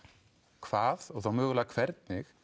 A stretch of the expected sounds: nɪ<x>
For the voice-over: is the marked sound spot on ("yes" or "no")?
yes